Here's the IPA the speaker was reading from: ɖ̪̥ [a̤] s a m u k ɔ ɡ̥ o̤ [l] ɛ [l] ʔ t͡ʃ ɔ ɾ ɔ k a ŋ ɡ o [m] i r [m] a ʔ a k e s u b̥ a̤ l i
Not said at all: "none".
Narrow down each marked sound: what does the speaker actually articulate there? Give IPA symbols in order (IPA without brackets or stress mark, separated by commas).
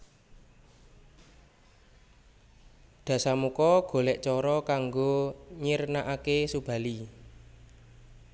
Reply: a̤, l, none, ɲ, n